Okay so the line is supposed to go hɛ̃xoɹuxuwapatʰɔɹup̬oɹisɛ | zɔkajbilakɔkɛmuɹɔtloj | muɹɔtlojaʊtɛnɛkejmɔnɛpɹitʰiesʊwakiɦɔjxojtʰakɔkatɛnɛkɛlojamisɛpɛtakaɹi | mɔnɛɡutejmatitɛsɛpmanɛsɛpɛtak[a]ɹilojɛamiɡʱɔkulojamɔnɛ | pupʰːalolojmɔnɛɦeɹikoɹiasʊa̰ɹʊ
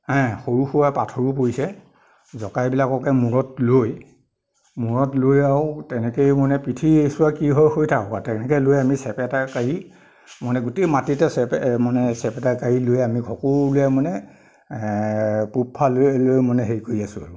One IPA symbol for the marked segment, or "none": a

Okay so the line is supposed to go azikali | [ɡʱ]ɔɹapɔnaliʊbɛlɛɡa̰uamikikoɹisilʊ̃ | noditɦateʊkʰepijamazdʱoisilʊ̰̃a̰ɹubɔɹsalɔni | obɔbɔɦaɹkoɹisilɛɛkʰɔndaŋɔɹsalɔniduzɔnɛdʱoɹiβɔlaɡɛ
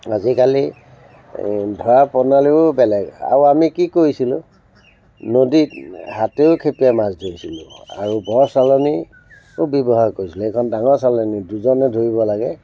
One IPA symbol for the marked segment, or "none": dʱ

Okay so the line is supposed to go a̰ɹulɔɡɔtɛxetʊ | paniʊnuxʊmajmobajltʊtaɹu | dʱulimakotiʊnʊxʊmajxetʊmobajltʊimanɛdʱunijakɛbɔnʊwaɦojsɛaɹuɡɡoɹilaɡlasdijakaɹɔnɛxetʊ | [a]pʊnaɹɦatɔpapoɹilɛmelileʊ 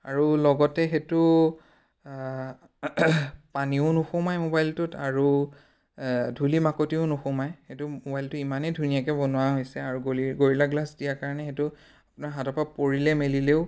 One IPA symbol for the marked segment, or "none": a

